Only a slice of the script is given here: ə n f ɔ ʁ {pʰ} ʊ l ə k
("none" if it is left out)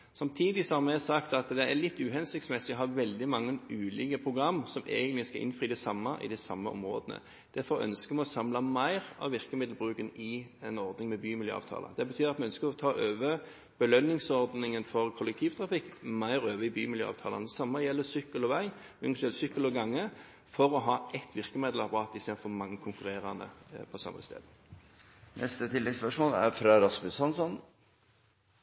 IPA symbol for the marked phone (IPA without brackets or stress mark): kʰ